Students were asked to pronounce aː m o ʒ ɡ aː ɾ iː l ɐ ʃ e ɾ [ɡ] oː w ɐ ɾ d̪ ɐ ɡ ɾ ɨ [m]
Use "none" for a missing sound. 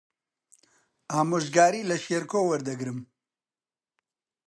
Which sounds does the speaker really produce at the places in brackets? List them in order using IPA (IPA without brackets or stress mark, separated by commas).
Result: k, m